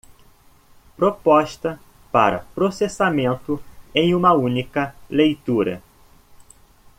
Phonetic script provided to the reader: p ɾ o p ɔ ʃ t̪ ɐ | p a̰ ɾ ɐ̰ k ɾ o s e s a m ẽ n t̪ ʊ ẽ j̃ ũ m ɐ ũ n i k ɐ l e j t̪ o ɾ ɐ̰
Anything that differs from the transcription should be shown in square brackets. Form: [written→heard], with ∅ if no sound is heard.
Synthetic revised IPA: p ɾ o p ɔ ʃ t̪ ɐ | p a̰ ɾ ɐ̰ [k→p] ɾ o s e s a m ẽ n t̪ ʊ ẽ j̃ ũ m ɐ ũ n i k ɐ l e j t̪ [o→u] ɾ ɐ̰